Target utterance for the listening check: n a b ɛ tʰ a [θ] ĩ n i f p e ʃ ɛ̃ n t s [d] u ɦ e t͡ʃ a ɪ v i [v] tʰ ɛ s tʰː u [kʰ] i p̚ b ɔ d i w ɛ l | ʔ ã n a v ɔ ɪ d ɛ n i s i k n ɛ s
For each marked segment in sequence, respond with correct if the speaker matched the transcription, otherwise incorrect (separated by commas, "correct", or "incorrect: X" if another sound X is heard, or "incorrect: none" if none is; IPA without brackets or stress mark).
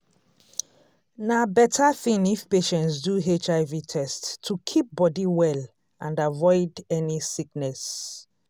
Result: correct, correct, incorrect: none, correct